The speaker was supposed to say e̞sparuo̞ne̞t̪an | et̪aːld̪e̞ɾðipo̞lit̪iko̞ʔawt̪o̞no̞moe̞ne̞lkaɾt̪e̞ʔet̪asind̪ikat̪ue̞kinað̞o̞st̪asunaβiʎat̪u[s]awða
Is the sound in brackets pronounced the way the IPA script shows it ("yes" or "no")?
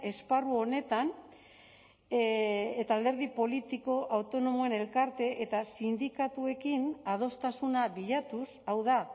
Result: yes